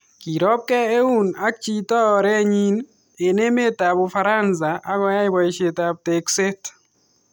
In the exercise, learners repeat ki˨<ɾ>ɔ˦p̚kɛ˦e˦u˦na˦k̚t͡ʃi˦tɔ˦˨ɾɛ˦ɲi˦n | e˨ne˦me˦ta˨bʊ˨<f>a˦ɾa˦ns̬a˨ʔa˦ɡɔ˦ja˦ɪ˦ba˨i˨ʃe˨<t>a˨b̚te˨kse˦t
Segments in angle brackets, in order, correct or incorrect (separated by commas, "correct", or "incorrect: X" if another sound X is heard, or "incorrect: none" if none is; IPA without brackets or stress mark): correct, correct, correct